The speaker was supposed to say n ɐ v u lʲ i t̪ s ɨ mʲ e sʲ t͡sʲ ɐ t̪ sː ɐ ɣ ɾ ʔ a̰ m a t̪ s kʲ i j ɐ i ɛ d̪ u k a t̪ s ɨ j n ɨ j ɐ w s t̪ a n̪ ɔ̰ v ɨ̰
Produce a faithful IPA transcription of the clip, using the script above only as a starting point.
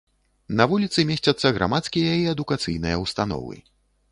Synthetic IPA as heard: n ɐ v u lʲ i t̪ s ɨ mʲ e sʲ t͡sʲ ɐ t̪ sː ɐ ɣ ɾ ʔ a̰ m a t̪ s kʲ i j ɐ i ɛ d̪ u k a t̪ s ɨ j n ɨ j ɐ w s t̪ a n̪ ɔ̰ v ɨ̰